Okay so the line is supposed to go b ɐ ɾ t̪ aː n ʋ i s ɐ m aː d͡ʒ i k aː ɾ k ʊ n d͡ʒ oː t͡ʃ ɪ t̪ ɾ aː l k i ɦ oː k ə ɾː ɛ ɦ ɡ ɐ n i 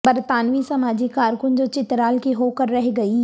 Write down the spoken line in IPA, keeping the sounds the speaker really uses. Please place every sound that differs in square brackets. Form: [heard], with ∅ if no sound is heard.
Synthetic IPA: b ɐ ɾ t̪ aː n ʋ i s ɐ m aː d͡ʒ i k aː ɾ k ʊ n d͡ʒ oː t͡ʃ ɪ t̪ ɾ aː l k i ɦ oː k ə ɾː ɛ ɦ ɡ ɐ [∅] i